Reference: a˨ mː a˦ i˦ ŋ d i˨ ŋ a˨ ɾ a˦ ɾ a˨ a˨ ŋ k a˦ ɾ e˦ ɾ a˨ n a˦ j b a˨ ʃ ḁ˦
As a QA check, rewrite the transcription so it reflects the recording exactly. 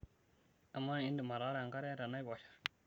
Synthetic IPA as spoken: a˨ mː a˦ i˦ n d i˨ m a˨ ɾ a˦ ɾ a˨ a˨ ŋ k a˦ ɾ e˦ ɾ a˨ n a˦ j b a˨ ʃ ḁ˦